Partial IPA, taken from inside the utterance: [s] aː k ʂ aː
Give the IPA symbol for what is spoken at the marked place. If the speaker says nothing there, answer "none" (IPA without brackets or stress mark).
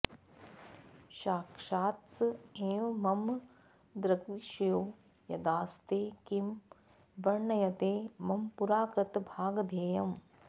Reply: ʃ